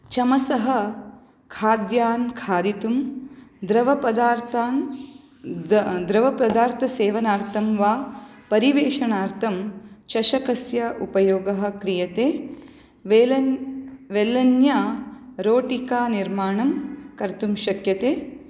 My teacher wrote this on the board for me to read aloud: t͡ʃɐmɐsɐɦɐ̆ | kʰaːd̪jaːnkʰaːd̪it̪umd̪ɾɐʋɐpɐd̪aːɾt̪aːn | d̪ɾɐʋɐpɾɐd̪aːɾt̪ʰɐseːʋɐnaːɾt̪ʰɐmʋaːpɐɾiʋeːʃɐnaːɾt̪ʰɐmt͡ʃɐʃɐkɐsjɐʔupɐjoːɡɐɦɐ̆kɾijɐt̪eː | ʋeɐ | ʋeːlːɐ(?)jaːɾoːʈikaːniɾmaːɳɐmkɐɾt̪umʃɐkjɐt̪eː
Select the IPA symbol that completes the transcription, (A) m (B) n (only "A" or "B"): B